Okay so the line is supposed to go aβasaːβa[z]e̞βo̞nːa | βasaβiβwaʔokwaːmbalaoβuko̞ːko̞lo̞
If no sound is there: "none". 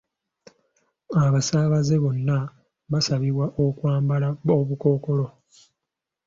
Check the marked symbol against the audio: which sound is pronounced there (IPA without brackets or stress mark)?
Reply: z